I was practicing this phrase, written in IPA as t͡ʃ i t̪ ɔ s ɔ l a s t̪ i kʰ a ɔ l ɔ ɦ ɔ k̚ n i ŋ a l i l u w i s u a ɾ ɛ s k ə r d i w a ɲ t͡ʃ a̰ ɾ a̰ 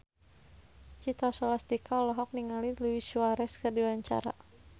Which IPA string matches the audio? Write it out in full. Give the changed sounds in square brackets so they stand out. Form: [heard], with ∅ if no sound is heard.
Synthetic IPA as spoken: t͡ʃ i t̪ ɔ s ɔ l a s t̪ i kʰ a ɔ l ɔ ɦ ɔ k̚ n i ŋ a l i l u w i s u a ɾ ɛ s k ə r d i w a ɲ t͡ʃ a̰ ɾ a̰

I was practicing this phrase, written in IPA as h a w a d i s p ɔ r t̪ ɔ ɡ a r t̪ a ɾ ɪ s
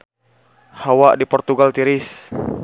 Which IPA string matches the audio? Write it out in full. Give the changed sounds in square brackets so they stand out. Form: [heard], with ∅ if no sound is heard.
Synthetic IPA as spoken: h a w a d i [∅] p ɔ r t̪ [u] ɡ a [l] t̪ [i] ɾ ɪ s

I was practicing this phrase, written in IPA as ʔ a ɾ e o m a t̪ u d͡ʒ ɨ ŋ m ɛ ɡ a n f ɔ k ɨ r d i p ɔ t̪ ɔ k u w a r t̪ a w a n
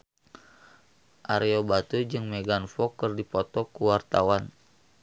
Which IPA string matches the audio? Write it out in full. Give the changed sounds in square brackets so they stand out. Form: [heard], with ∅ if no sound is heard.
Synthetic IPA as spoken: ʔ a ɾ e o [b] a t̪ u d͡ʒ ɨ ŋ m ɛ ɡ a n f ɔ k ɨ r d i p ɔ t̪ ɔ k u w a r t̪ a w a n

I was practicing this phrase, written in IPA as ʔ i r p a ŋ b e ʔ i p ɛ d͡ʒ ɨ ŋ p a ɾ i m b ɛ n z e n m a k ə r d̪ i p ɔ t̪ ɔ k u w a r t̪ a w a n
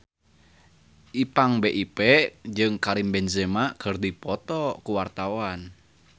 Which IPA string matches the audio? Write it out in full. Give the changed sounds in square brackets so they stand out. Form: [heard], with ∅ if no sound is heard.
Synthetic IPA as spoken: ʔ i [∅] p a ŋ b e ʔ i p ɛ d͡ʒ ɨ ŋ [k] a ɾ i m b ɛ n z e [∅] m a k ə r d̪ i p ɔ t̪ ɔ k u w a r t̪ a w a n

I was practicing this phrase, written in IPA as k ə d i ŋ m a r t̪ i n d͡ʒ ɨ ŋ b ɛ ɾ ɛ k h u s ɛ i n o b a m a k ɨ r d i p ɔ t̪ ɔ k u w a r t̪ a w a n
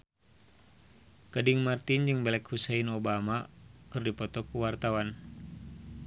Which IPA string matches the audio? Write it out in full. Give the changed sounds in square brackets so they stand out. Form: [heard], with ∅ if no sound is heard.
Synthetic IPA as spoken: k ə d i ŋ m a r t̪ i n d͡ʒ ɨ ŋ b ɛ [l] ɛ k h u s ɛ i n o b a m a k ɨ r d i p ɔ t̪ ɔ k u w a r t̪ a w a n

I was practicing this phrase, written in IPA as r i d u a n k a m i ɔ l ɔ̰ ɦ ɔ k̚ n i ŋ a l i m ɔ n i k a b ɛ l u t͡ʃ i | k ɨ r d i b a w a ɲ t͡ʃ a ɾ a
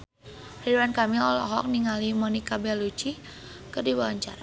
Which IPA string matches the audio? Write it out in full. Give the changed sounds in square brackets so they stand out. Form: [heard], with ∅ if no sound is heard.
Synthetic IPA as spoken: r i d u a n k a m i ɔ l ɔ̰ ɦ ɔ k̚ n i ŋ a l i m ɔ n i k a b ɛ l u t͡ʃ i | k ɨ r d i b a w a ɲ t͡ʃ a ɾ a

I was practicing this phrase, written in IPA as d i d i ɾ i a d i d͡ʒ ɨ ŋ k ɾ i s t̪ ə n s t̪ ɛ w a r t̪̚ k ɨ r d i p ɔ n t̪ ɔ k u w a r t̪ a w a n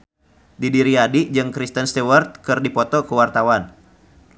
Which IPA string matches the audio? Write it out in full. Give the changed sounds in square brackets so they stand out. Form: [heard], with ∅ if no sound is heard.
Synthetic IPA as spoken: d i d i ɾ i a d i d͡ʒ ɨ ŋ k ɾ i s t̪ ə n s t̪ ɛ w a r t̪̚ k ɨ r d i p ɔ [∅] t̪ ɔ k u w a r t̪ a w a n

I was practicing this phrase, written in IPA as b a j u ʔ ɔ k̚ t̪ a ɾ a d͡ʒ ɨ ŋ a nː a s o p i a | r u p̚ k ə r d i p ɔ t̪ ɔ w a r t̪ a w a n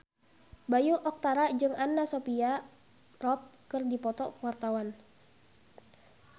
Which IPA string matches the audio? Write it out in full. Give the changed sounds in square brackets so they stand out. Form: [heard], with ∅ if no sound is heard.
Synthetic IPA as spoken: b a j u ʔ ɔ k̚ t̪ a ɾ a d͡ʒ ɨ ŋ a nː a s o p i a | r [ɔ] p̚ k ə r d i p ɔ t̪ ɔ w a r t̪ a w a n

